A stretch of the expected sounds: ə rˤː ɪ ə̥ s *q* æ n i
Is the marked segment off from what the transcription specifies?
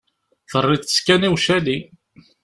yes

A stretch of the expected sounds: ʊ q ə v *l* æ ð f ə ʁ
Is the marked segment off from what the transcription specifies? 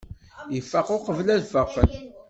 no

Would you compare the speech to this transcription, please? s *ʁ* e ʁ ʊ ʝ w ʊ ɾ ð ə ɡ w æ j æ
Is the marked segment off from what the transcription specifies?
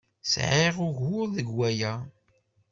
yes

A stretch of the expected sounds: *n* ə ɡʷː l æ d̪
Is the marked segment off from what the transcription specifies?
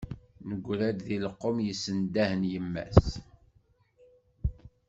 no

